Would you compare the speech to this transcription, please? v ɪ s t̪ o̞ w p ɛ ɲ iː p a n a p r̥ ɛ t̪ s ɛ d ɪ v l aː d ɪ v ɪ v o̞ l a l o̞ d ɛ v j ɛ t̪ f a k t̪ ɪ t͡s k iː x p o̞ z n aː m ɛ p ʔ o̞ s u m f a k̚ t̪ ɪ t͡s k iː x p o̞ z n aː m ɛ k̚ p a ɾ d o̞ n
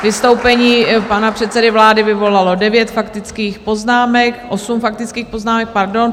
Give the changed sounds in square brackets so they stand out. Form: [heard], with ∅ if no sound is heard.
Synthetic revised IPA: v ɪ s t̪ o̞ w p ɛ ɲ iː p a n a p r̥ ɛ t̪ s ɛ d ɪ v l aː d ɪ v ɪ v o̞ l a l o̞ d ɛ v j ɛ t̪ f a k t̪ ɪ t͡s k iː x p o̞ z n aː m ɛ [k] ʔ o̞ s u m f a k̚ t̪ ɪ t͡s k iː x p o̞ z n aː m ɛ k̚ p a ɾ d o̞ n